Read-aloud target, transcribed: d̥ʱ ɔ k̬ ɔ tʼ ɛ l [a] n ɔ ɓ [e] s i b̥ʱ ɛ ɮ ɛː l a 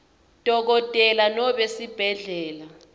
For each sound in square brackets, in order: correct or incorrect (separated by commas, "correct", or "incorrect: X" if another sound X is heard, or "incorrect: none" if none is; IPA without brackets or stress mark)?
correct, correct